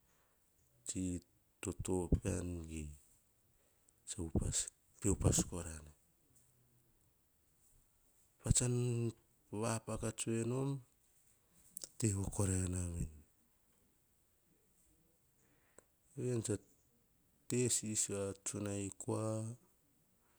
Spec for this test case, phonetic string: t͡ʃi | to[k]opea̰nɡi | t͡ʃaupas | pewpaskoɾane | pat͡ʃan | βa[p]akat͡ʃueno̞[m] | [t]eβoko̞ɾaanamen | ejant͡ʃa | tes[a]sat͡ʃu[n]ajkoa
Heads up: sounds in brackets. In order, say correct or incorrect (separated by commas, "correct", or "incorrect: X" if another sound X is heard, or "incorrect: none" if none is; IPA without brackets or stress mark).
incorrect: t, correct, correct, correct, incorrect: i, correct